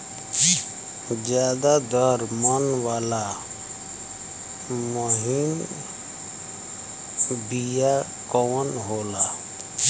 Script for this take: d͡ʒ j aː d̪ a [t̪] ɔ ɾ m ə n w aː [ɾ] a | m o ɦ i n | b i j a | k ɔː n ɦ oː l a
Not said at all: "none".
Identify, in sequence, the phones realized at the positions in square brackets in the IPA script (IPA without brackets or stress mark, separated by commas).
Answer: d̪, l